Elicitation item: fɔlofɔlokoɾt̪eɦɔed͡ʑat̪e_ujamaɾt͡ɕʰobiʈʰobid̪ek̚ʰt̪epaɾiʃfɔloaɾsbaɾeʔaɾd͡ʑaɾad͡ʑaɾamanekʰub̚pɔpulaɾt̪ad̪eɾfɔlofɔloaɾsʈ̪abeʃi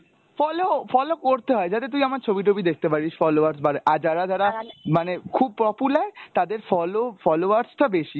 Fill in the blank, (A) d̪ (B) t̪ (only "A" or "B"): B